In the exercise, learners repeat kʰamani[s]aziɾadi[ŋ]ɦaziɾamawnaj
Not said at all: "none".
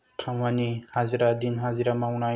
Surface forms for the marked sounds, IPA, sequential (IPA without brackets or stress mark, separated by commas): h, n